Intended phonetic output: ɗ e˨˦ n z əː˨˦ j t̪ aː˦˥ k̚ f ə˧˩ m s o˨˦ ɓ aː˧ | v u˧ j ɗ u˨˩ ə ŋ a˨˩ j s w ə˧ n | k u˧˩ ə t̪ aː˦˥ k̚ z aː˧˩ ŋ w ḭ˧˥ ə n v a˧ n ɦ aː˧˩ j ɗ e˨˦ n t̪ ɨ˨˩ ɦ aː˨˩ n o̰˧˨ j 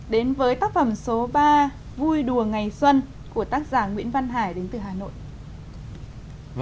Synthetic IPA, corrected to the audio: ɗ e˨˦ n v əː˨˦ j t̪ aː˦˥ k̚ f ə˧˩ m s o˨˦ ɓ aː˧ | v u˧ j ɗ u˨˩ ə ŋ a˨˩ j s w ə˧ n | k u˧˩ ə t̪ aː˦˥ k̚ z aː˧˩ ŋ w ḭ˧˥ ə n v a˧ n ɦ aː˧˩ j ɗ e˨˦ n t̪ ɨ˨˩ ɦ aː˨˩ n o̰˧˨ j